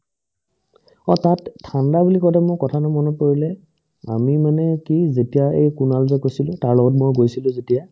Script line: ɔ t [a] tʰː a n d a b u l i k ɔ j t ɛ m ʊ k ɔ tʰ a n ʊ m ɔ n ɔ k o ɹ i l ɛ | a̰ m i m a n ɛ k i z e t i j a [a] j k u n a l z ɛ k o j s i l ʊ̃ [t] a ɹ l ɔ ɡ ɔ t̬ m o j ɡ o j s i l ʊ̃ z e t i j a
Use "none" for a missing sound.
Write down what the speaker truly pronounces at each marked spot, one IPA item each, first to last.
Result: a, e, t

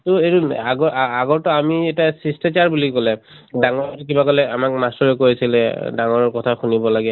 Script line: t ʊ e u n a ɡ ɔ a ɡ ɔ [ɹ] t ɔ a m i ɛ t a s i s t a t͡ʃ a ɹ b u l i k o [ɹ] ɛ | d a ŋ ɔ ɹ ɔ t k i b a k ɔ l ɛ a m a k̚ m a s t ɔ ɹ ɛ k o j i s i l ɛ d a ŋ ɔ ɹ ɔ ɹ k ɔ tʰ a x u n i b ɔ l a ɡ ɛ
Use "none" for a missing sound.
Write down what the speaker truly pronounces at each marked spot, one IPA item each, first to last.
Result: ɹ, l

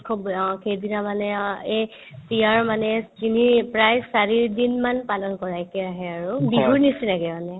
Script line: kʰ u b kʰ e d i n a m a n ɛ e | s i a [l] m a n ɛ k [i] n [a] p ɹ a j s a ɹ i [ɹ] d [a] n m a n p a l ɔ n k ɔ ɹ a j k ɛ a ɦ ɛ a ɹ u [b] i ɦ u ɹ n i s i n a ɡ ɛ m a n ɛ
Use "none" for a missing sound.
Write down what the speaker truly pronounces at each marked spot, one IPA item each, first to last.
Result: ɹ, i, i, ɹ, i, b

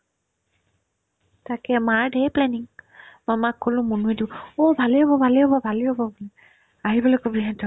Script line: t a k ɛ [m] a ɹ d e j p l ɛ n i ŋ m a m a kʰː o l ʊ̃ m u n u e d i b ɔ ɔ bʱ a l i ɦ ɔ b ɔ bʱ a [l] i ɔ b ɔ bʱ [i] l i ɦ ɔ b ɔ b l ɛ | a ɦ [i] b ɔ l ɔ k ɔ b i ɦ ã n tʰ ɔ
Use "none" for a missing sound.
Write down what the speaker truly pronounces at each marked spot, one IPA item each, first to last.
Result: m, l, a, i

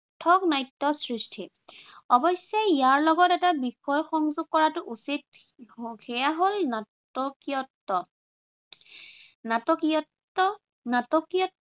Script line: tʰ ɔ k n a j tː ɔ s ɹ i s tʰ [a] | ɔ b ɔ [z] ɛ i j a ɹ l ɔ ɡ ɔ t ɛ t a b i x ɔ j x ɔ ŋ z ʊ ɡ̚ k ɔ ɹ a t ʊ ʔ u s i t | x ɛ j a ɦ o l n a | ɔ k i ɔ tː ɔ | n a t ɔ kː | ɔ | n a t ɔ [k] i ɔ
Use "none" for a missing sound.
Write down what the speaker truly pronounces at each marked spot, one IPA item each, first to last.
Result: i, s, k

